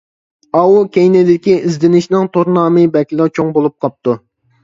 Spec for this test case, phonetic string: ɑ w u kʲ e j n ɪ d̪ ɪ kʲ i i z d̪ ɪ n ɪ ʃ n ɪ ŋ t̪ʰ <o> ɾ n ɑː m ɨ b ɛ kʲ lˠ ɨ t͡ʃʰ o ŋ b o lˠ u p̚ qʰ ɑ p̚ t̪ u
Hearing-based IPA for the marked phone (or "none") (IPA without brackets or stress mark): o